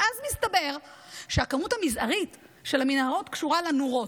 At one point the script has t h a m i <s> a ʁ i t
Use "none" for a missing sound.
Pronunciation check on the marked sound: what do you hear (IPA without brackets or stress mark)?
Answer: z